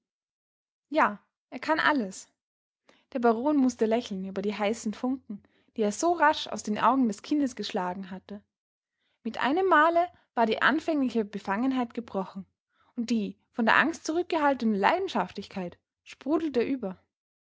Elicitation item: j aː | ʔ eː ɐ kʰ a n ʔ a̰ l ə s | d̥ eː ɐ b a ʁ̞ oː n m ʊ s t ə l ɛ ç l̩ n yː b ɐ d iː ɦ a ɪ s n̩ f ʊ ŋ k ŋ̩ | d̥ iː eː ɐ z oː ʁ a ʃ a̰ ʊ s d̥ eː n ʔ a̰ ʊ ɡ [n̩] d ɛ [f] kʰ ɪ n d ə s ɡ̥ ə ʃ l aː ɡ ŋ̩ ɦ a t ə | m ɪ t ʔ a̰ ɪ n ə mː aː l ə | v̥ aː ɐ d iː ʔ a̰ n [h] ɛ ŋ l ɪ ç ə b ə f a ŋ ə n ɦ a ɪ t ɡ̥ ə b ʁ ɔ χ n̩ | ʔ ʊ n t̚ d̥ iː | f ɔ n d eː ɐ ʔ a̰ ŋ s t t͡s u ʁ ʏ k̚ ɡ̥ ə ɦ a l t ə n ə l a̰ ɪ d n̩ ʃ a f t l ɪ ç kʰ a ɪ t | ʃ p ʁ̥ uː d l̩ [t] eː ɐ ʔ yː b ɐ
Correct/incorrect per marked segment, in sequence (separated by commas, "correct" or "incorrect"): incorrect, incorrect, incorrect, correct